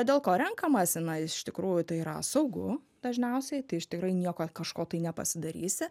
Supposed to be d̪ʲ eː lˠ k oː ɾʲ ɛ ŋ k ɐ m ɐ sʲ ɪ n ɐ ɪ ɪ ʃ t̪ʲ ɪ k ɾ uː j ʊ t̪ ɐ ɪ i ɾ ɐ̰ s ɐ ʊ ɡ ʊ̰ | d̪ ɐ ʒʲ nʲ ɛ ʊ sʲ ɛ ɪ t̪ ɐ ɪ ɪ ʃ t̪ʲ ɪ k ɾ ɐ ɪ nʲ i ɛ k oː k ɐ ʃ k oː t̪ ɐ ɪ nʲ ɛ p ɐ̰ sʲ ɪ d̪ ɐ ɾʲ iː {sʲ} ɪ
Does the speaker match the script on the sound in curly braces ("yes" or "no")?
yes